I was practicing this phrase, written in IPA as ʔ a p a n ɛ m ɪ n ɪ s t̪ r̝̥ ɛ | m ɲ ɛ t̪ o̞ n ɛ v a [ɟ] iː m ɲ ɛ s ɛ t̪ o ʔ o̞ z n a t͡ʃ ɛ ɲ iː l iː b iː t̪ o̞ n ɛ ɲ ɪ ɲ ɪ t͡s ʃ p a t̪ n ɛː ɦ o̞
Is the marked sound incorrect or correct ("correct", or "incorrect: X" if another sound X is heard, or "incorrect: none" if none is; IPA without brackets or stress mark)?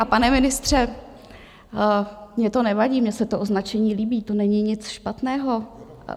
correct